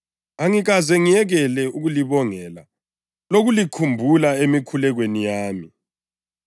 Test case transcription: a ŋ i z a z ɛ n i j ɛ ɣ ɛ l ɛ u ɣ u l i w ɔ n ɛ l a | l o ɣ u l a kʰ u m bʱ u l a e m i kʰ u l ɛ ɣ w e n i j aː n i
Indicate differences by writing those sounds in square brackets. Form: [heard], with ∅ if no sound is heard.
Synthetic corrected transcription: a ŋ i [ɣ] a z ɛ [ŋ] i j ɛ ɣ ɛ l ɛ u ɣ u l i [β] ɔ [ŋ] ɛ l a | l o ɣ u l [i] kʰ u m bʱ u l a e m i kʰ u l ɛ ɣ w e n i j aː [m] i